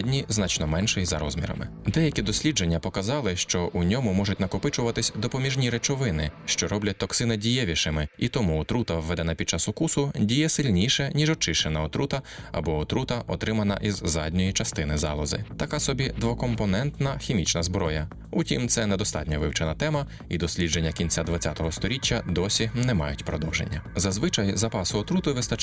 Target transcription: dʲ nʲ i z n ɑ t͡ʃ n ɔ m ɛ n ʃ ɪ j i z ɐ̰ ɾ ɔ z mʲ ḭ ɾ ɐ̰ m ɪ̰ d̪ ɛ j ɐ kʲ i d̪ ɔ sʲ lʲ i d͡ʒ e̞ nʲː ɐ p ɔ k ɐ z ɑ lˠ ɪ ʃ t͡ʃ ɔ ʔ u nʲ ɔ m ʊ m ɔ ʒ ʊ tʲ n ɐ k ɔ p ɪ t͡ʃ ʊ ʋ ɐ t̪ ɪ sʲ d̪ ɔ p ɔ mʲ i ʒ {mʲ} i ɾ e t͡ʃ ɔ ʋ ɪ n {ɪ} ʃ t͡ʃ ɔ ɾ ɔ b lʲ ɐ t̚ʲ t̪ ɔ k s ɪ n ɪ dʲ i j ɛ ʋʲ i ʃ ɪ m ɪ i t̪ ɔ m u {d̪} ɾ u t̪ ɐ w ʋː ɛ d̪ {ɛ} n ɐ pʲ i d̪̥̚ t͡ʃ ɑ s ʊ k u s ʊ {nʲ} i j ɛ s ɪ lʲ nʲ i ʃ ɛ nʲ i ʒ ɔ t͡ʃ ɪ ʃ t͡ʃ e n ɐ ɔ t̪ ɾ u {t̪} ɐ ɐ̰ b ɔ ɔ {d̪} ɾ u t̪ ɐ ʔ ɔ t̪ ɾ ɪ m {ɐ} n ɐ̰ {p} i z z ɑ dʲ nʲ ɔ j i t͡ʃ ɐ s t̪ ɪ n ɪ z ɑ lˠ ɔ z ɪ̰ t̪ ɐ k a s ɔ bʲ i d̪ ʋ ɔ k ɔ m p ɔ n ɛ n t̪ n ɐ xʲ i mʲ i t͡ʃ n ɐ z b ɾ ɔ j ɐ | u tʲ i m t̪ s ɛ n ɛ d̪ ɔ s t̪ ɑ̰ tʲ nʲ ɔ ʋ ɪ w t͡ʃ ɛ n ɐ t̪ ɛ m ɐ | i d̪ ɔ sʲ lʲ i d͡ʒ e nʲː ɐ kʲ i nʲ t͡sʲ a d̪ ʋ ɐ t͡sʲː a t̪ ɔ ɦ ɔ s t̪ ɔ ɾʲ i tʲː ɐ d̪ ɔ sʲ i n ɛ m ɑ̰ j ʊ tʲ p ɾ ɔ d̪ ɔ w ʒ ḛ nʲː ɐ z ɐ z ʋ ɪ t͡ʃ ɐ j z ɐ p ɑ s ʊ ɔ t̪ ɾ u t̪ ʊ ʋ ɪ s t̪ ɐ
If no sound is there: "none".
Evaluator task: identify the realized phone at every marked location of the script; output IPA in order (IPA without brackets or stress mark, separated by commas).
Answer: nʲ, ɪ, t̪, ɛ, dʲ, t̪, t̪, ɐ, ʔ